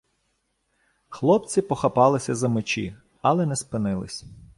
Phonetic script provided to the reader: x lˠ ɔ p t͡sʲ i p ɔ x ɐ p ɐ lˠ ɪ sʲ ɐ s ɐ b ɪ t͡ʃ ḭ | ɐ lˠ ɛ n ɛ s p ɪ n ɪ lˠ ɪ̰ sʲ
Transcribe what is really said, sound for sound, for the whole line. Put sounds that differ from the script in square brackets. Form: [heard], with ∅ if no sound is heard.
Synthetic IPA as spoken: x lˠ ɔ p t͡sʲ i p ɔ x ɐ p [ɑ] lˠ ɪ sʲ ɐ [z] ɐ [m] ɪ t͡ʃ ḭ | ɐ lˠ ɛ n ɛ s p ɪ n ɪ lˠ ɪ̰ sʲ